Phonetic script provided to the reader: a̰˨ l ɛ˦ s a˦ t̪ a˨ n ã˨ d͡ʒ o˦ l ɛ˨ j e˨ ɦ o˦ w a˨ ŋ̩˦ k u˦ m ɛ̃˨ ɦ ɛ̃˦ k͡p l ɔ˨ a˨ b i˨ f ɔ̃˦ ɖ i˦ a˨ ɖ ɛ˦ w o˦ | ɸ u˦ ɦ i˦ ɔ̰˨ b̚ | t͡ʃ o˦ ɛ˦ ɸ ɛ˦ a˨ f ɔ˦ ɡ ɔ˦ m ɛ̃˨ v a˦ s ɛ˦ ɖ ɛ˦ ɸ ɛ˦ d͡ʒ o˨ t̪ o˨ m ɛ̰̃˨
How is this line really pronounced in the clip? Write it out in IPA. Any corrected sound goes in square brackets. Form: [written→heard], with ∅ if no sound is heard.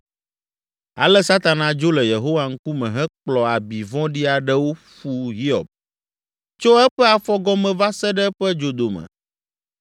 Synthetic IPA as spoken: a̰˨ l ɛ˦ s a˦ t̪ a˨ n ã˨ d͡ʒ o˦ l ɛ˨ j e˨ ɦ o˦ w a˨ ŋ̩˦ k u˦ m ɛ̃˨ ɦ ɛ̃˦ k͡p l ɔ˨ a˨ b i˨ [f→v] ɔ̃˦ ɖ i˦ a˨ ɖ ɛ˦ w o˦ | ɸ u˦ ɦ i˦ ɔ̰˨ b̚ | t͡ʃ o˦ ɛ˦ ɸ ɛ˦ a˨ f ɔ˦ ɡ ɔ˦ m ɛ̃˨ v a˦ s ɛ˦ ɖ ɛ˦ ɸ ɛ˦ d͡ʒ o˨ [t̪→d̪] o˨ m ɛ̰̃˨